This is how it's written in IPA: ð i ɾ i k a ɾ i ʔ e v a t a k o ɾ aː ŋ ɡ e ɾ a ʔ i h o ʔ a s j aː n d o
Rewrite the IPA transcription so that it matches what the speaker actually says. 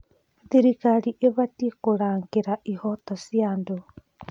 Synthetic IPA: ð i ɾ i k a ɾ i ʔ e β a t i k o ɾ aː ŋ ɡ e ɾ a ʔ i h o t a s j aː n d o